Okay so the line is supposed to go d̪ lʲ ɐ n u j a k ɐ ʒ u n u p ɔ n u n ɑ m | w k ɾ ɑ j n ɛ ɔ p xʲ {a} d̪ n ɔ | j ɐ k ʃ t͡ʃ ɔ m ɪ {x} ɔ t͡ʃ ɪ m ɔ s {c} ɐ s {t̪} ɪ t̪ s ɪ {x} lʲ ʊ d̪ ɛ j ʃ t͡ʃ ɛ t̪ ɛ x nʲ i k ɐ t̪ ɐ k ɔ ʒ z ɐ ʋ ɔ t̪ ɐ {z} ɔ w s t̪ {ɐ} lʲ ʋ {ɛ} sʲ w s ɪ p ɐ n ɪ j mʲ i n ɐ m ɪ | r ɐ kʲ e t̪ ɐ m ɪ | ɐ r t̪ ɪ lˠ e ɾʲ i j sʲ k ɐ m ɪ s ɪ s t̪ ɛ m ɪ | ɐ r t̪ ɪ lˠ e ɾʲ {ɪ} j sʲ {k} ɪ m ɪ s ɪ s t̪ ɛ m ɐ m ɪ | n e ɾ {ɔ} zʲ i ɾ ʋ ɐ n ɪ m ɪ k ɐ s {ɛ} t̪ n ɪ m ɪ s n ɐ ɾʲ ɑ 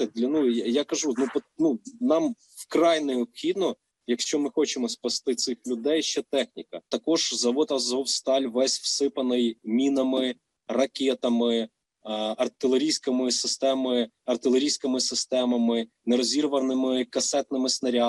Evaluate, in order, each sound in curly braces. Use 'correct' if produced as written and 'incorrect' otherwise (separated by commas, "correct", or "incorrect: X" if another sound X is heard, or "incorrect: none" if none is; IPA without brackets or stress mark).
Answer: incorrect: i, correct, incorrect: p, correct, correct, correct, incorrect: ɑ, correct, incorrect: i, correct, correct, correct